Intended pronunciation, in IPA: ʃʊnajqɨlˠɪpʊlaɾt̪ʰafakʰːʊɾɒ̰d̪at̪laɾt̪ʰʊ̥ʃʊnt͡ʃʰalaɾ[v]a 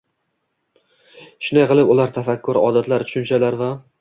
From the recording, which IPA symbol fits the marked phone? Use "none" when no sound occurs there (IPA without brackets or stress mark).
v